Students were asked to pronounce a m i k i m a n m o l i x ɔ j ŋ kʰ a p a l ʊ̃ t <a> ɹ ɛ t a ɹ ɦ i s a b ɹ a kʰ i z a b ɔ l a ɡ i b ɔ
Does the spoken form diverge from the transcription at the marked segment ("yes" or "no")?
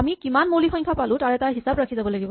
no